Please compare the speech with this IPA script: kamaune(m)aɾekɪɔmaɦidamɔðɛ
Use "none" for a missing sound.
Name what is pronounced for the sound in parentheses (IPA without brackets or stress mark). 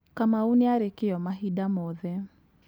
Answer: none